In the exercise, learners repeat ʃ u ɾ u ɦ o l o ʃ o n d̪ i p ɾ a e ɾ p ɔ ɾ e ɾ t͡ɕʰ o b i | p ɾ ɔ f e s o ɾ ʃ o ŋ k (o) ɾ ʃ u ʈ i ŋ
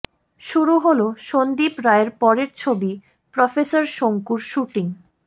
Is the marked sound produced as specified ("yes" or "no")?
no